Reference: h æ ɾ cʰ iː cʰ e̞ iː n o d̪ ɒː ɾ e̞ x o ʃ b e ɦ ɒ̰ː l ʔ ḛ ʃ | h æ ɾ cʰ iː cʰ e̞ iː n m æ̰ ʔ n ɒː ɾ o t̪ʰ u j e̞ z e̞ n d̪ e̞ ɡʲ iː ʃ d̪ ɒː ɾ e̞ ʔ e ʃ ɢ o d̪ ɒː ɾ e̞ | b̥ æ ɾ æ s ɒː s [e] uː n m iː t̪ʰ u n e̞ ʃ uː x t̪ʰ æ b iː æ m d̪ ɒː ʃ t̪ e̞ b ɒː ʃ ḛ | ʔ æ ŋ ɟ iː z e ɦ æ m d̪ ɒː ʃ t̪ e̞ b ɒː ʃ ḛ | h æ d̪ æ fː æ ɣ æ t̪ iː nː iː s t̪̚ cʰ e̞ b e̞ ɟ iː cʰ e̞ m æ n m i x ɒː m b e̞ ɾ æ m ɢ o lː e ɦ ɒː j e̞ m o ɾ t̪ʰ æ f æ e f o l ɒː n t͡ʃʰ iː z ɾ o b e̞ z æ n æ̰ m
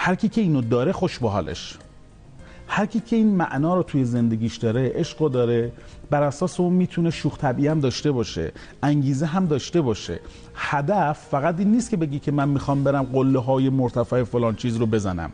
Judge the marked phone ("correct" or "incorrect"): correct